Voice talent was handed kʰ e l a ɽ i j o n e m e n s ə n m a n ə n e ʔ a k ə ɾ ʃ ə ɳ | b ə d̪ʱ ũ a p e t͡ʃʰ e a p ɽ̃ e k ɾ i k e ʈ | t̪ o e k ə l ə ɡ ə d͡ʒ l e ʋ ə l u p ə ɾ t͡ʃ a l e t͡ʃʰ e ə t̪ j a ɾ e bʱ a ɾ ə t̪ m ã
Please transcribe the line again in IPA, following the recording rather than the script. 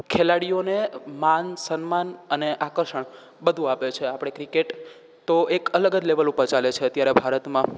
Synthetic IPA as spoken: kʰ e l a ɽ i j o n e m a n s ə n m a n ə n e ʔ a k ə ɾ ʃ ə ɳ | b ə d̪ʱ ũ a p e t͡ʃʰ e a p ɽ̃ e k ɾ i k e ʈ | t̪ o e k ə l ə ɡ ə d͡ʒ l e ʋ ə l u p ə ɾ t͡ʃ a l e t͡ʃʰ e ə t̪ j a ɾ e bʱ a ɾ ə t̪ m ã